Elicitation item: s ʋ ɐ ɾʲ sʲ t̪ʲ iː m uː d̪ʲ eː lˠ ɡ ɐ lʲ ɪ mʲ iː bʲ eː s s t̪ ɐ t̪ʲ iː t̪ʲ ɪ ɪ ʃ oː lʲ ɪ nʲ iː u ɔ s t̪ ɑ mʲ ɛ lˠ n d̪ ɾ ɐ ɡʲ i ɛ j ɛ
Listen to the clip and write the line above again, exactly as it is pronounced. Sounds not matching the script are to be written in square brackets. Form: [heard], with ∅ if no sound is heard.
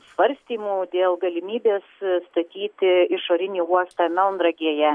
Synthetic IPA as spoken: s ʋ ɐ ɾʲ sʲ t̪ʲ iː m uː d̪ʲ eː lˠ ɡ ɐ lʲ ɪ mʲ iː bʲ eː s s t̪ ɐ t̪ʲ iː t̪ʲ ɪ ɪ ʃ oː [ɾʲ] ɪ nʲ iː u ɔ s t̪ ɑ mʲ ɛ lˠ n d̪ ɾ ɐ ɡʲ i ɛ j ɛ